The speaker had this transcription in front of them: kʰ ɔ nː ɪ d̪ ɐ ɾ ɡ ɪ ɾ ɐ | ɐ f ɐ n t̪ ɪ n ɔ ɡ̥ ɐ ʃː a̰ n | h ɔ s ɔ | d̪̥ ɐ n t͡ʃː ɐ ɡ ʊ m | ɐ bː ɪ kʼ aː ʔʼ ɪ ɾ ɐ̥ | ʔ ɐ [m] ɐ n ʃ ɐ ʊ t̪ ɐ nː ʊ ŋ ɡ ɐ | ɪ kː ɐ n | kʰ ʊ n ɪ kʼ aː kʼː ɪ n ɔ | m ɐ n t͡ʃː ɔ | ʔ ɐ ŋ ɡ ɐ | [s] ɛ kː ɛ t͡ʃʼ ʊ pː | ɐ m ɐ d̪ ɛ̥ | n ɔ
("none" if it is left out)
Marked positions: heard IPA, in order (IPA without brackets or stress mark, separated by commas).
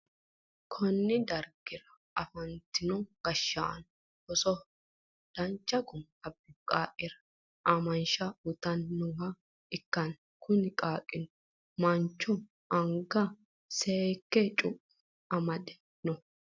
m, s